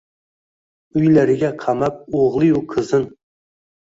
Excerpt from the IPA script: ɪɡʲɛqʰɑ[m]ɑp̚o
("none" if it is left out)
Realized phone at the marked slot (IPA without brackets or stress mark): m